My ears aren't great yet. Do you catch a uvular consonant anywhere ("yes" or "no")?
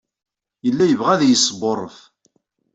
yes